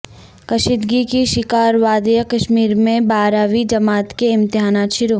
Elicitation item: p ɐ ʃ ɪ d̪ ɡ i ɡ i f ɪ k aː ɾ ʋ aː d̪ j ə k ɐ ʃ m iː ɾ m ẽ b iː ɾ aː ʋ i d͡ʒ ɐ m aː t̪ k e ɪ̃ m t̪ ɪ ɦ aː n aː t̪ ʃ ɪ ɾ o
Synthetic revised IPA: k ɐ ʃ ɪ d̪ ɡ i k i ʃ ɪ k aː ɾ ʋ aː d̪ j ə k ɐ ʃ m iː ɾ m ẽ b aː ɾ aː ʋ i d͡ʒ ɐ m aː t̪ k e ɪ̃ m t̪ ɪ ɦ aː n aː t̪ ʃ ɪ ɾ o